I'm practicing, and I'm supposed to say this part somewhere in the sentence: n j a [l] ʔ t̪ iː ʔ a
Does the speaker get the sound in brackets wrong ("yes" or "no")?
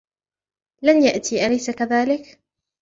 yes